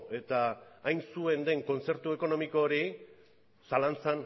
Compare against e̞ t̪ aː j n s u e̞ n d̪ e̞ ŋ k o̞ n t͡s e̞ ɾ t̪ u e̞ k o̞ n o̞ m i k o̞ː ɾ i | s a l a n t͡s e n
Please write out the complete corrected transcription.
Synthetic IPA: e̞ t̪ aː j n s u e̞ n d̪ e̞ ŋ k o̞ n t͡s e̞ ɾ t̪ u e̞ k o̞ n o̞ m i k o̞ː ɾ i | s a l a n t͡s a n